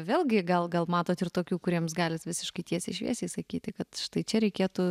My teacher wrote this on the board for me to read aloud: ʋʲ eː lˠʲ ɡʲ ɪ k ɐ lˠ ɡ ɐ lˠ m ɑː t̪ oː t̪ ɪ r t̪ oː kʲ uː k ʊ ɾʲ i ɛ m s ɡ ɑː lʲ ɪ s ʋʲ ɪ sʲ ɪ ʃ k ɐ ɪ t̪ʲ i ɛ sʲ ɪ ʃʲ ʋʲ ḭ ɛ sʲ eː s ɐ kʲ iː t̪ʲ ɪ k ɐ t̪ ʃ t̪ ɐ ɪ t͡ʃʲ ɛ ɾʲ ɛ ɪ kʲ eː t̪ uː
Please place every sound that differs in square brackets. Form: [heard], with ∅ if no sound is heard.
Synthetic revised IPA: ʋʲ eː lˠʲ ɡʲ ɪ [ɡ] ɐ lˠ ɡ ɐ lˠ m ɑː t̪ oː t̪ ɪ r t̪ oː kʲ uː k ʊ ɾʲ i ɛ m s ɡ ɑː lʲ ɪ s ʋʲ ɪ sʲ ɪ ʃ k ɐ ɪ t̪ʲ i ɛ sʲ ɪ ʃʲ ʋʲ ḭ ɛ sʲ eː s ɐ kʲ iː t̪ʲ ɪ k ɐ t̪ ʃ t̪ ɐ ɪ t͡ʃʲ ɛ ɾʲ ɛ ɪ kʲ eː t̪ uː